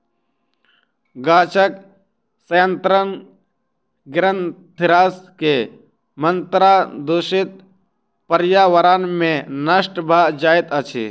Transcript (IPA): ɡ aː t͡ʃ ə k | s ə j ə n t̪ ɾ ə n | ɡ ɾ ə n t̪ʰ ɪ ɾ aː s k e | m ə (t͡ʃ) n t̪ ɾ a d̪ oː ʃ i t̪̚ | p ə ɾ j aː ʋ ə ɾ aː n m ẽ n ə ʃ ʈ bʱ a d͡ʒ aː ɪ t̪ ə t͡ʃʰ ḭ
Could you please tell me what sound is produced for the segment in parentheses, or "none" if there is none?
none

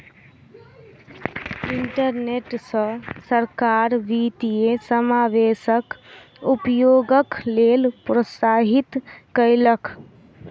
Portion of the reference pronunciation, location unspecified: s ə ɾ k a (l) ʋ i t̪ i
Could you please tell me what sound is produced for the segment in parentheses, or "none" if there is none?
ɾ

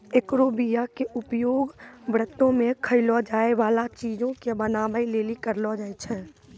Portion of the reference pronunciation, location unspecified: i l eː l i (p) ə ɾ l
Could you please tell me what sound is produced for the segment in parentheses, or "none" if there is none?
k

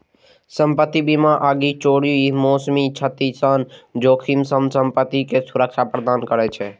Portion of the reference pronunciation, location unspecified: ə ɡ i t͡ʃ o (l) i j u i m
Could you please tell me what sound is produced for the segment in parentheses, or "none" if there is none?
ɽ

